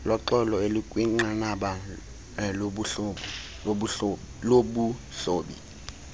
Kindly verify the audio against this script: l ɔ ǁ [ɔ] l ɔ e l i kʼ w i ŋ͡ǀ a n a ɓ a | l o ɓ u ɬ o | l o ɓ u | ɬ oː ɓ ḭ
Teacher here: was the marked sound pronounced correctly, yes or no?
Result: yes